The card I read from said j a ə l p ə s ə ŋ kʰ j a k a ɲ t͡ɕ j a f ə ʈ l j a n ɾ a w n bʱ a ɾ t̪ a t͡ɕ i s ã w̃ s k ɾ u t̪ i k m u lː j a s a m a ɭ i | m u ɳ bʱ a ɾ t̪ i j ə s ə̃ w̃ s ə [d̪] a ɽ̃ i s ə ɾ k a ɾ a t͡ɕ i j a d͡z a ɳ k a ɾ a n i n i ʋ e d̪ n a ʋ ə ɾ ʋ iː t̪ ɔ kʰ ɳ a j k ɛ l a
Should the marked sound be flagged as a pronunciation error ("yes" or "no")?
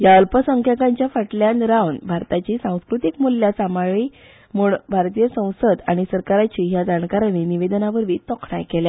no